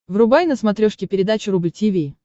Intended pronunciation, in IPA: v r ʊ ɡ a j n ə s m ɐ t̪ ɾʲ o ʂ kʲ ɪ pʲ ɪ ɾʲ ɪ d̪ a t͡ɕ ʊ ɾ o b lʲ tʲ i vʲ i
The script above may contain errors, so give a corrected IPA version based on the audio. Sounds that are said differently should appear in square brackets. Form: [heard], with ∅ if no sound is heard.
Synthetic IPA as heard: v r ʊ [b] a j n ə s m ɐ t̪ ɾʲ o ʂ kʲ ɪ pʲ ɪ ɾʲ ɪ d̪ a t͡ɕ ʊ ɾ [u] b lʲ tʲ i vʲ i